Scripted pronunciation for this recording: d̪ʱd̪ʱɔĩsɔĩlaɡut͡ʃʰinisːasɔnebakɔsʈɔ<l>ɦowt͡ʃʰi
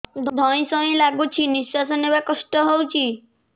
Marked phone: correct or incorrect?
incorrect